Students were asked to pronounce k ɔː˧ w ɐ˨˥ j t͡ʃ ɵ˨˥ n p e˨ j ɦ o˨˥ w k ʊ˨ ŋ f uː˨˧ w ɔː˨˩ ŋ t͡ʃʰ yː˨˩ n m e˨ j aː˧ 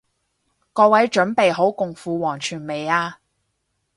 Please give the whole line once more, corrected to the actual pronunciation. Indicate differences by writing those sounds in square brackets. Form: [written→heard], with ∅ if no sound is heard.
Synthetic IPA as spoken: k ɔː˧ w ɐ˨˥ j t͡ʃ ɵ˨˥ n p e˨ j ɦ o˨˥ w k ʊ˨ ŋ f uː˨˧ w ɔː˨˩ ŋ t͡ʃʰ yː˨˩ n m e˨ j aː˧